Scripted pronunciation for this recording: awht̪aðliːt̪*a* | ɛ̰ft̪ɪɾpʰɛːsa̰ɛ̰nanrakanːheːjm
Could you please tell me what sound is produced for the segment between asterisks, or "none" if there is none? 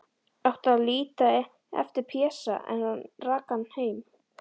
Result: a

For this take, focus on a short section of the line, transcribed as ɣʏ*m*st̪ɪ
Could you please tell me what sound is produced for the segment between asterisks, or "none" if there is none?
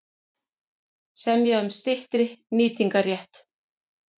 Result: m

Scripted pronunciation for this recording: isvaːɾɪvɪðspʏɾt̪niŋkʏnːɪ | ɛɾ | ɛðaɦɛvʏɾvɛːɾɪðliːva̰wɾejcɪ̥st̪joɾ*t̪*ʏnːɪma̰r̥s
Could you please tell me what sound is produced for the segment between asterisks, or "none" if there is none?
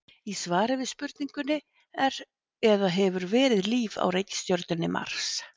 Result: t̪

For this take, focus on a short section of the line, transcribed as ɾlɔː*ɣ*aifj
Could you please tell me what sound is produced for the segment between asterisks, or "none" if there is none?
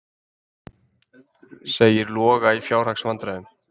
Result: ɣ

